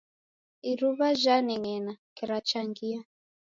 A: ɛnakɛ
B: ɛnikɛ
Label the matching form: A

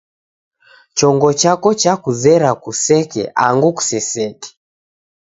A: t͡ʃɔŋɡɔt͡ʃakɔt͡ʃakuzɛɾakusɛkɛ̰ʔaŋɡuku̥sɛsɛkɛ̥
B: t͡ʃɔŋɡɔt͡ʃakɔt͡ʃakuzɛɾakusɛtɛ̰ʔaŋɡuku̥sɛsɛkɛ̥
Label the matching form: A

